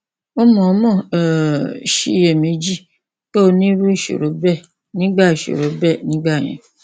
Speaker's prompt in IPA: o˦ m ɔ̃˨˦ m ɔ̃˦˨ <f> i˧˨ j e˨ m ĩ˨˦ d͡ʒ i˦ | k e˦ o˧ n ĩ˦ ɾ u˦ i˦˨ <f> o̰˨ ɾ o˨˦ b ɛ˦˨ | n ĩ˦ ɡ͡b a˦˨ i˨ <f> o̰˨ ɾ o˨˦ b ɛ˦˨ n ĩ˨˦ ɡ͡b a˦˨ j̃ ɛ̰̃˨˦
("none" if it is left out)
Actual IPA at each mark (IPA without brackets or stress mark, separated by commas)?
ʃ, ʃ, ʃ